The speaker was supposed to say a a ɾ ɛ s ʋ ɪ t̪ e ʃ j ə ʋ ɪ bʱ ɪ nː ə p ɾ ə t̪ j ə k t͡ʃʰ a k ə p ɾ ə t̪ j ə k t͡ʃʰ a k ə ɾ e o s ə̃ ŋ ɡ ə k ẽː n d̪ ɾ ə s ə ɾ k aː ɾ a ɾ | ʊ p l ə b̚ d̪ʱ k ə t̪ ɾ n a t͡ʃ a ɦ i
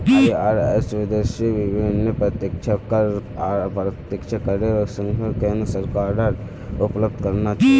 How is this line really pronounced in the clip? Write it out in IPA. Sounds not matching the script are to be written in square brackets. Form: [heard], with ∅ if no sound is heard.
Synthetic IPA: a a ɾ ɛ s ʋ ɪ [d̪] e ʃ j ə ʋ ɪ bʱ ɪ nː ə p ɾ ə t̪ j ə k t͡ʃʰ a k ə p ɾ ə t̪ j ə k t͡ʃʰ a k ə ɾ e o s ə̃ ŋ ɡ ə k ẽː n d̪ ɾ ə s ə ɾ k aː ɾ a ɾ | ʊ p l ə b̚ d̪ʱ k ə [∅] ɾ n a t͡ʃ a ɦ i